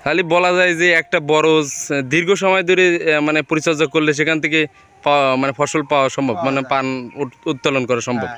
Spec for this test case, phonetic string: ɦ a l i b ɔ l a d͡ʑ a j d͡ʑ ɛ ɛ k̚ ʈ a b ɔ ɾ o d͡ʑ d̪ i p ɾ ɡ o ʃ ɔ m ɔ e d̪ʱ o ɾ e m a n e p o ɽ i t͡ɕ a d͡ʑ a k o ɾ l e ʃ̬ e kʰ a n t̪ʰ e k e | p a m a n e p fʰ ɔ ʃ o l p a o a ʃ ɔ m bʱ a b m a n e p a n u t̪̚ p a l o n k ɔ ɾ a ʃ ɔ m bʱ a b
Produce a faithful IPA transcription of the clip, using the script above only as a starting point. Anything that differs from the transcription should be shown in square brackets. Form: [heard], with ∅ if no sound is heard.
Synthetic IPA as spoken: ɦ a l i b ɔ l a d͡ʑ a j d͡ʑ [e] ɛ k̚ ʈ a b ɔ ɾ o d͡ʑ d̪ i [∅] ɾ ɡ o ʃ ɔ m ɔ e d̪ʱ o ɾ e m a n e p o [ɾ] i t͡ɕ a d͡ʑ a k o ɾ l e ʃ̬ e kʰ a n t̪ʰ e k e | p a m a n e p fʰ ɔ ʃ o l p a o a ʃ ɔ m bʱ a b m a n e p a n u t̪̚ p a l o n k ɔ ɾ a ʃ ɔ m bʱ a b

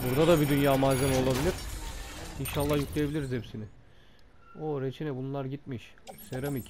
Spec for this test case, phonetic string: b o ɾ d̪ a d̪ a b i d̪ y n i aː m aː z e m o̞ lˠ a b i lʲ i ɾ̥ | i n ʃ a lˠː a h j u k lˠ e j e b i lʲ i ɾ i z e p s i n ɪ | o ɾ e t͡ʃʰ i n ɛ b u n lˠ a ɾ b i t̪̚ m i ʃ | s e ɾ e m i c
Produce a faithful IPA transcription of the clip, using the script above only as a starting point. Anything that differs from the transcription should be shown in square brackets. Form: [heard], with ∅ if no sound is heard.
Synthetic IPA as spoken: b [u] ɾ d̪ a d̪ a b i d̪ y n [j] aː m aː z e m o̞ lˠ a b i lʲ i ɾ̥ | i n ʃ a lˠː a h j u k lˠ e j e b i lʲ i ɾ i z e p s i n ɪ | o ɾ e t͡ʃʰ i n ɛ b u n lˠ a ɾ [ɟ] i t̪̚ m i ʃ | s e ɾ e m i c

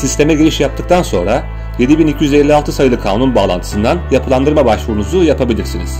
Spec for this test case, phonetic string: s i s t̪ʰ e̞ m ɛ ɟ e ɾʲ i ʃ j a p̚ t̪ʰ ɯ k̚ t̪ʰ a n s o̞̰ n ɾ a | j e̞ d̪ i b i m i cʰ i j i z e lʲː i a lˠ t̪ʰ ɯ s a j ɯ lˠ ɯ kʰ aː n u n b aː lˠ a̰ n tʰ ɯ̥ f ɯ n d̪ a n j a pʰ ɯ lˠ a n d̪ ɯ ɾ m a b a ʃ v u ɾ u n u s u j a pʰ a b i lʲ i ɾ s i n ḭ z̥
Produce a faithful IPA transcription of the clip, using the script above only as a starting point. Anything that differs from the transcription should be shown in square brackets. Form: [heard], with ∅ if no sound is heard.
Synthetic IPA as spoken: s i s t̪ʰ e̞ m ɛ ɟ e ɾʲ i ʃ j a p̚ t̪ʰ ɯ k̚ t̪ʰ a n s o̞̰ n ɾ a | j e̞ d̪ i b i [n] i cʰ i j [y] z e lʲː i a lˠ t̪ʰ ɯ s a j ɯ lˠ ɯ kʰ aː n u n b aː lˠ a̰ n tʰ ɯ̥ [s] ɯ n d̪ a n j a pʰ ɯ lˠ a n d̪ ɯ ɾ m a b a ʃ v u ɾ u n u [z] u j a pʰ a b i lʲ i ɾ s i n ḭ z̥

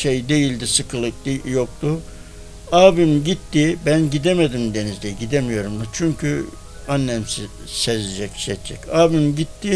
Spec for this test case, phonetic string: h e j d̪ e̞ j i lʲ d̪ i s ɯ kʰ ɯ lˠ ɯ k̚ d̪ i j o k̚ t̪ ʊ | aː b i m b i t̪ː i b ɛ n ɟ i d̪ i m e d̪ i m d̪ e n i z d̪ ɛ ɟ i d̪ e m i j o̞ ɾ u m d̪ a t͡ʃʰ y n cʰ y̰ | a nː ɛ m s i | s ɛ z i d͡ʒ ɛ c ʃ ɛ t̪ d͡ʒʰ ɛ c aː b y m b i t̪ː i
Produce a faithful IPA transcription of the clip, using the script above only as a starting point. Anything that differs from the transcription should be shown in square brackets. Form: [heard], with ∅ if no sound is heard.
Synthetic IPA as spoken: [ʃ] e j d̪ e̞ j i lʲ d̪ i s ɯ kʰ ɯ lˠ ɯ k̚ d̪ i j o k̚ t̪ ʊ | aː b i m [ɟ] i t̪ː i b [æ] n ɟ i d̪ [e] m e d̪ i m d̪ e n i z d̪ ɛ ɟ i d̪ e m i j o̞ ɾ u m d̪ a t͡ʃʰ y [ɲ] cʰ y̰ | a nː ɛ m s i | s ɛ z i d͡ʒ ɛ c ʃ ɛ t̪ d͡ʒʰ ɛ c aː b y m [ɟ] i t̪ː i

